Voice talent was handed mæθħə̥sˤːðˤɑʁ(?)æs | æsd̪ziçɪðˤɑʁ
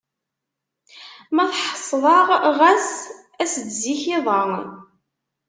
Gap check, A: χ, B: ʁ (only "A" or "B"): B